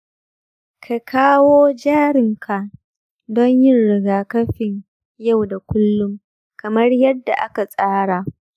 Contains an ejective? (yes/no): yes